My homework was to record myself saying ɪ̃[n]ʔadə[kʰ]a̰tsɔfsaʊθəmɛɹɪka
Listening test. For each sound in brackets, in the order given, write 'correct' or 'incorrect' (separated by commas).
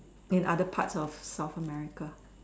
correct, incorrect